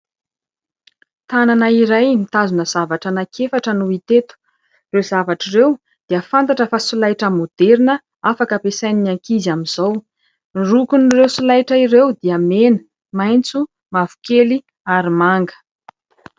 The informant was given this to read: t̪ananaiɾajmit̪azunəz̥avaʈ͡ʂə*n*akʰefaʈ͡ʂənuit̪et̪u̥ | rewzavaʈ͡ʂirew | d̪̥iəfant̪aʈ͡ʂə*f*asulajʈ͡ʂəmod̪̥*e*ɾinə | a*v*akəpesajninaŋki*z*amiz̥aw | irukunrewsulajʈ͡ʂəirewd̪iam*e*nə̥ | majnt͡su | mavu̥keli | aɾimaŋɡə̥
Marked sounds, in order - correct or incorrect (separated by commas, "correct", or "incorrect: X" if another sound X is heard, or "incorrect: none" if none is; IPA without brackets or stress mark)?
correct, correct, correct, incorrect: f, correct, correct